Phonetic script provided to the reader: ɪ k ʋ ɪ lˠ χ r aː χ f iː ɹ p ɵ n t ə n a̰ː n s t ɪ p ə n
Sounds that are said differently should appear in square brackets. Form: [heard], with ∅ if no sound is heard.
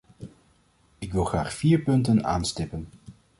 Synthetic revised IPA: ɪ k ʋ ɪ lˠ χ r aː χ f iː ɹ p ɵ n t ə n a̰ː n s t ɪ p ə n